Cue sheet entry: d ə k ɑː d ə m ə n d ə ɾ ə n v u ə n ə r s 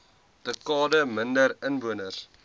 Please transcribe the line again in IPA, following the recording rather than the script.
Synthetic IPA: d ə k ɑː d ə m ə n d ə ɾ ə n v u ə n ə r s